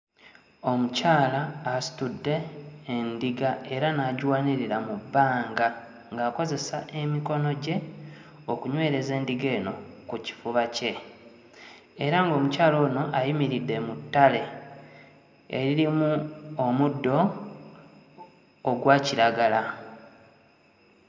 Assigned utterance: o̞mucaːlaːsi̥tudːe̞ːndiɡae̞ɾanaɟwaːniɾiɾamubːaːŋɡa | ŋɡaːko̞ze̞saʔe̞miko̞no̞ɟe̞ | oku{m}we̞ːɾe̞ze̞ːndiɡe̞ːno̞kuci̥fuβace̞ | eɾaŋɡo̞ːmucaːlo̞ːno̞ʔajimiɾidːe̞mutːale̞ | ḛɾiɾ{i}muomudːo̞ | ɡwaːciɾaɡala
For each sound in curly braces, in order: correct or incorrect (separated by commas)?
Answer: incorrect, correct